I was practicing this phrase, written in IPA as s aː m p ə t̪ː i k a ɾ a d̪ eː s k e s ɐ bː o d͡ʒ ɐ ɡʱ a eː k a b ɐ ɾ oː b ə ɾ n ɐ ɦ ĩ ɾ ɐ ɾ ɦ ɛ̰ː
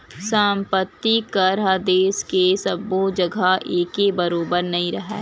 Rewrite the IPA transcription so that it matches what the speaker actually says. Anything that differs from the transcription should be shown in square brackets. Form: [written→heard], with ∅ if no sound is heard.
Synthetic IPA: s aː m p ə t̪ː i k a ɾ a d̪ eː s k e s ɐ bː o d͡ʒ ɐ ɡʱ a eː k [a→e] b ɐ ɾ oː b ə ɾ n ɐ ɦ ĩ ɾ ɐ [ɾ→∅] ɦ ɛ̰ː

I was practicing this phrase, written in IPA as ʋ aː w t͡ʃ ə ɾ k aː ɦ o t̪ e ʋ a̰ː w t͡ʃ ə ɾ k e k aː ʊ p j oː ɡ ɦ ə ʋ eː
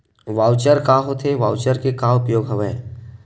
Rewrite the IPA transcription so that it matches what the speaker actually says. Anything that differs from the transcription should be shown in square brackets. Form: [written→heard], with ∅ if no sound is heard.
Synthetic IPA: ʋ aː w t͡ʃ ə ɾ k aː ɦ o [t̪→t̪ʰ] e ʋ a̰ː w t͡ʃ ə ɾ k e k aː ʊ p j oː ɡ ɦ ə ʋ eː

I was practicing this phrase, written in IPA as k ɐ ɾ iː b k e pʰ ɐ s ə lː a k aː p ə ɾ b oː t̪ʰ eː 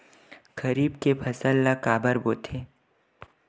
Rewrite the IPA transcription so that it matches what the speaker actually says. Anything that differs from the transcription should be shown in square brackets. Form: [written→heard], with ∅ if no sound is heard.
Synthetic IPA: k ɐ ɾ iː b k e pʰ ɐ s ə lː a k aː [p→b] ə ɾ b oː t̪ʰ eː

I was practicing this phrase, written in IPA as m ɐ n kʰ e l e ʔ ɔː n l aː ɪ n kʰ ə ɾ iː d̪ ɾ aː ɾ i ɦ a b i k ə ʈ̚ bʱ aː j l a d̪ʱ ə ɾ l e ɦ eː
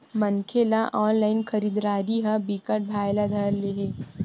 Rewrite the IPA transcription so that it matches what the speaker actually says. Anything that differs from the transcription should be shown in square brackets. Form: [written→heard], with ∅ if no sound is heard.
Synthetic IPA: m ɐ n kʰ e l [e→a] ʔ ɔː n l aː ɪ n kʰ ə ɾ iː d̪ ɾ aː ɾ i ɦ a b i k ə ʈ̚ bʱ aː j l a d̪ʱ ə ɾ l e ɦ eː

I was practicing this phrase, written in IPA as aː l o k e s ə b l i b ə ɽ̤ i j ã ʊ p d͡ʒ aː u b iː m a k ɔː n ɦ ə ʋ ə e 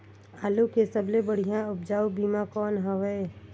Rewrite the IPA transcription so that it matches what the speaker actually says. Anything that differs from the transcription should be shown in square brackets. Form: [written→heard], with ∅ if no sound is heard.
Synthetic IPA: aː l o k e s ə b l [i→e] b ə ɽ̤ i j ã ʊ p d͡ʒ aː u b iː m a k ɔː n ɦ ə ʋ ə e

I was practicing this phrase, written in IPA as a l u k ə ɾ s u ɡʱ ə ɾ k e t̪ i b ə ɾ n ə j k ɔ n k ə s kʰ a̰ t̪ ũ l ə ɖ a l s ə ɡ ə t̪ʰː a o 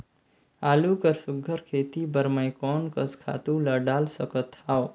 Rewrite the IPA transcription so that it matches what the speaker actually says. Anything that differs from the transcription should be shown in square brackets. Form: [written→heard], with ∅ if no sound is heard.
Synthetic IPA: a l u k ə ɾ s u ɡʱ ə ɾ [k→kʰ] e t̪ i b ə ɾ [n→m] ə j k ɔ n k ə s kʰ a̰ t̪ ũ l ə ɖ a l s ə [ɡ→k] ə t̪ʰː a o

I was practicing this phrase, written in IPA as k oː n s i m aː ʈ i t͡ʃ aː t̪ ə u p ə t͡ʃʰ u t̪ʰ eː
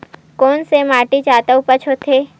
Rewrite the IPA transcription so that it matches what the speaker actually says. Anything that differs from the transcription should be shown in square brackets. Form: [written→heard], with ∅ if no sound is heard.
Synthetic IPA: k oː n s [i→e] m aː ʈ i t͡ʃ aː t̪ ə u p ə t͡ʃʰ [u→o] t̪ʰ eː

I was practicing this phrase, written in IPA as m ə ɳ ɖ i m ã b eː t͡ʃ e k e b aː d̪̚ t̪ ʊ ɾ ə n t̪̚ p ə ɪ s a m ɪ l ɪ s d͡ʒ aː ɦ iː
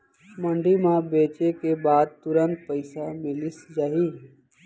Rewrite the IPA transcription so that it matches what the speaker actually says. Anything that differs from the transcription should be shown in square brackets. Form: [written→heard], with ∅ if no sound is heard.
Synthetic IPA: m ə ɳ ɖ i m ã b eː t͡ʃ e k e b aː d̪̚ t̪ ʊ ɾ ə n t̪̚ p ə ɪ s a m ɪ l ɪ s d͡ʒ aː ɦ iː

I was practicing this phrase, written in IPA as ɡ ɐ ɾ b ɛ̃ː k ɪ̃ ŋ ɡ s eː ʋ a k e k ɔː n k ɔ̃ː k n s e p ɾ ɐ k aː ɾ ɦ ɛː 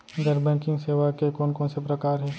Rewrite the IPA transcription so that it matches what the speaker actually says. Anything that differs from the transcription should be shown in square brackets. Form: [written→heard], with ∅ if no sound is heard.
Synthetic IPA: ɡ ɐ ɾ b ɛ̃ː k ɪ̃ ŋ ɡ s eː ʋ a k e k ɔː n k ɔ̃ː [k→∅] n s e p ɾ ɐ k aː ɾ ɦ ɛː

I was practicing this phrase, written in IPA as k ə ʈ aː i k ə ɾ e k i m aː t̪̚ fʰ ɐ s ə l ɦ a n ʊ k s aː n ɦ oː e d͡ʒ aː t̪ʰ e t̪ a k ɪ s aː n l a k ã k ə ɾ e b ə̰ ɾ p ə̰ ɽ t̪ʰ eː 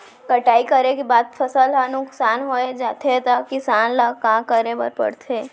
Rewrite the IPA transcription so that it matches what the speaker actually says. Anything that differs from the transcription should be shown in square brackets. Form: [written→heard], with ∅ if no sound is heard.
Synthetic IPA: k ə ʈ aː i k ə ɾ e k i [m→b] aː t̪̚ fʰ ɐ s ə l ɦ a n ʊ k s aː n ɦ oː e d͡ʒ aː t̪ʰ e t̪ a k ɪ s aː n l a k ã k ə ɾ e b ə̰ ɾ p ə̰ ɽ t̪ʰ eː

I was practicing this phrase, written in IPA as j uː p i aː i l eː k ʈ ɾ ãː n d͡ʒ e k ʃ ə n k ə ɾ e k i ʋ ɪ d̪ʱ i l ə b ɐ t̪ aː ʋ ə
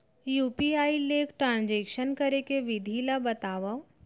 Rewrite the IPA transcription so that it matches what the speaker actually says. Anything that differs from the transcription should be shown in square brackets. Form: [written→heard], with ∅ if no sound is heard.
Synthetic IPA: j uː p i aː i l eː k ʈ ɾ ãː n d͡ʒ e k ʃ ə n k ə ɾ e k [i→e] ʋ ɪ d̪ʱ i l [ə→a] b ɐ t̪ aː ʋ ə

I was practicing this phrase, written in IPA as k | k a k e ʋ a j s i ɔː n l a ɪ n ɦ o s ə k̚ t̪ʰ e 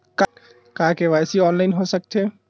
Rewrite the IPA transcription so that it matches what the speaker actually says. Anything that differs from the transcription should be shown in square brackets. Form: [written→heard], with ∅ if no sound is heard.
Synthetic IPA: k | k a k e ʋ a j s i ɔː n l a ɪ n ɦ o s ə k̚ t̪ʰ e

